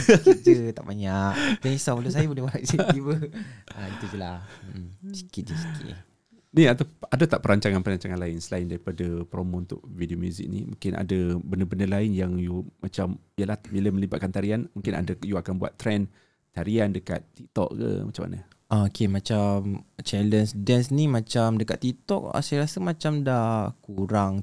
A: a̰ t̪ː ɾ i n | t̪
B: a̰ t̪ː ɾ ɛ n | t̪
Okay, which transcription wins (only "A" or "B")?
B